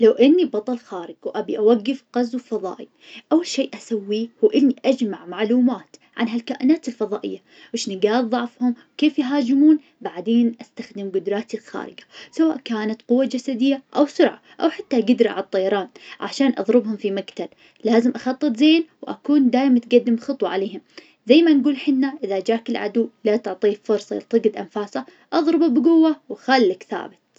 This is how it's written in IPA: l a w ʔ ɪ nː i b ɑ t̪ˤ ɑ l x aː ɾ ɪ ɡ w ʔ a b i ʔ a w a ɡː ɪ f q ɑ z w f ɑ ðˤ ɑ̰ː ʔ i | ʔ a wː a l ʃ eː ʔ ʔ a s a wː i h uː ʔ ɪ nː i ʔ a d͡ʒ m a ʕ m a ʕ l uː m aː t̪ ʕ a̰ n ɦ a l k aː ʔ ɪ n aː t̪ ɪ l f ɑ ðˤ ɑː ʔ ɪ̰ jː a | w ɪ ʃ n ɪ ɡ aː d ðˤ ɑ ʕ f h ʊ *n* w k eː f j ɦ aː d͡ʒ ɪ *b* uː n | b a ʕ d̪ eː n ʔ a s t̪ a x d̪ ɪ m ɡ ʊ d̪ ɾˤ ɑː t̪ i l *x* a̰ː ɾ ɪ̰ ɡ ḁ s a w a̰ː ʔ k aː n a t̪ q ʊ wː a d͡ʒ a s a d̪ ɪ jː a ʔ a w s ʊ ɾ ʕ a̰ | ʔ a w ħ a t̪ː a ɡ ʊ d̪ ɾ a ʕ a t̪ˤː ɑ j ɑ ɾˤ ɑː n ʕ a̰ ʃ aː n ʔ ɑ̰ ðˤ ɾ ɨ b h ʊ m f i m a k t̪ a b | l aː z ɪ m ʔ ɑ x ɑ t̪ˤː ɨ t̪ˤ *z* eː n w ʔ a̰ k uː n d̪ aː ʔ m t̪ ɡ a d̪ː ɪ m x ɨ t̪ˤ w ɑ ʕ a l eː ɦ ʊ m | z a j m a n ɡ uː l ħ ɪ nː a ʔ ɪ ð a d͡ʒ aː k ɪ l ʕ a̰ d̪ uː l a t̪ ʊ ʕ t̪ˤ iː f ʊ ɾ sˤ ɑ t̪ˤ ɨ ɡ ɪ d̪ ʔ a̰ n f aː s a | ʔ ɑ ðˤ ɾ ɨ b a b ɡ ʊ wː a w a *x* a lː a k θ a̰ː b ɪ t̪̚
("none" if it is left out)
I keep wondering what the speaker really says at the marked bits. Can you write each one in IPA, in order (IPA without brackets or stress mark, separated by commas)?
m, m, x, z, x